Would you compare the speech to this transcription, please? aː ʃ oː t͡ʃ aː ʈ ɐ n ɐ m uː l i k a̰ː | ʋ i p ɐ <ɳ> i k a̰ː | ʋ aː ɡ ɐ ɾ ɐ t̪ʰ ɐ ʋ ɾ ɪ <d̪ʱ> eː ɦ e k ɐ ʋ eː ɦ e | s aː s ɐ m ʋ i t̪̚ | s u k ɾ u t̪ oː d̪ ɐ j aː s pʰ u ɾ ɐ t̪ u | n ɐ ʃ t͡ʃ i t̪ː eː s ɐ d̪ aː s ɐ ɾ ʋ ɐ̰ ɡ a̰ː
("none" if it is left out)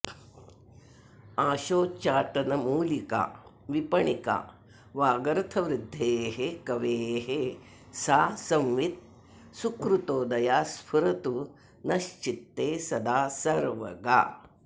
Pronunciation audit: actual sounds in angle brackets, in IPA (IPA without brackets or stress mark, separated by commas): ɳ, d̪ʱː